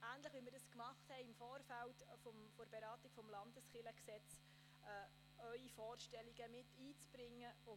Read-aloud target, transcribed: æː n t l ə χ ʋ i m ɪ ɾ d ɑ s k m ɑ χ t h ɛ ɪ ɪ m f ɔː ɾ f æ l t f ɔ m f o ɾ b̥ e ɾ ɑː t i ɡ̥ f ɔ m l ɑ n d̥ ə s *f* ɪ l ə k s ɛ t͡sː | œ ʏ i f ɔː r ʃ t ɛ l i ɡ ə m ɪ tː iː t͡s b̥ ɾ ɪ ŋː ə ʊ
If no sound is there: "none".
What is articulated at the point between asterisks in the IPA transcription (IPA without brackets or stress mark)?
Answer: χ